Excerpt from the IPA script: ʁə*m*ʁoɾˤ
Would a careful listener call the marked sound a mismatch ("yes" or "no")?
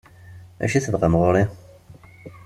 no